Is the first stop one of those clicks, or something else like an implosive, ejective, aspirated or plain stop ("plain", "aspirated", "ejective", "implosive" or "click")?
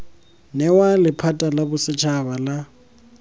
aspirated